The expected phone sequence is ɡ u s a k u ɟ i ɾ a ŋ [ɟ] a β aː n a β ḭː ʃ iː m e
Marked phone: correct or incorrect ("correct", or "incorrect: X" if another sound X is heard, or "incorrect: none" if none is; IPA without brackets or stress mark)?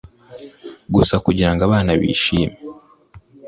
incorrect: ɡ